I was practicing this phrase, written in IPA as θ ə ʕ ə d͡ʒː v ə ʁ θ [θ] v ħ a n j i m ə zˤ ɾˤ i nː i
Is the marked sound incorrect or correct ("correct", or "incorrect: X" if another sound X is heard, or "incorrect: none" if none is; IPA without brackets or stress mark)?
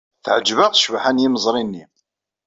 incorrect: ʃ